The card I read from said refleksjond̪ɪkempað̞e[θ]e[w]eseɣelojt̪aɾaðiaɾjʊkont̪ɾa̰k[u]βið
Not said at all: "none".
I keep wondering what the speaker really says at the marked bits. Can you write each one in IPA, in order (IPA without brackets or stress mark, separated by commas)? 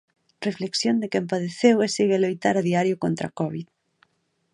θ, w, ɔ